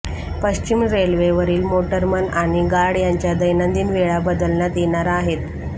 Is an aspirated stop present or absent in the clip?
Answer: absent